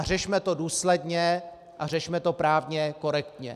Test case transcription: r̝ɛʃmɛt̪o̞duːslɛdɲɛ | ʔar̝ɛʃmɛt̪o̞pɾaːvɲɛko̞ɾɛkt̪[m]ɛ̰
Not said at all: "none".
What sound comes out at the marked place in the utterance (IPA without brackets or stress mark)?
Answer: ɲ